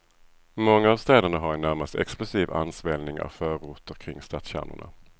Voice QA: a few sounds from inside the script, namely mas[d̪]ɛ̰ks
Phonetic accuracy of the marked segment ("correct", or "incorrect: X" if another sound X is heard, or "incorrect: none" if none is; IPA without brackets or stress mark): incorrect: t̪